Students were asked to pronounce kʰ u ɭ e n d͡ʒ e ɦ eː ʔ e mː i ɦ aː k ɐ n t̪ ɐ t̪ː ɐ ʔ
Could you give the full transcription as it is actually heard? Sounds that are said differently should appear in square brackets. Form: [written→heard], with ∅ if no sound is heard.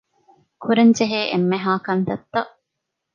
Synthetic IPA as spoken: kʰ u [ɭ→ɾ] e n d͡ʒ e ɦ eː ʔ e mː [i→e] ɦ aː k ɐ n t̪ ɐ t̪ː ɐ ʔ